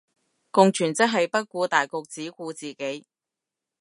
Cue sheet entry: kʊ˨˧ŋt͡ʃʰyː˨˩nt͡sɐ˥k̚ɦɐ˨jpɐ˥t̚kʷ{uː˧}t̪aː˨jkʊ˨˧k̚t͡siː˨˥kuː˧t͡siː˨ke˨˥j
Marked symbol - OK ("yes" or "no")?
yes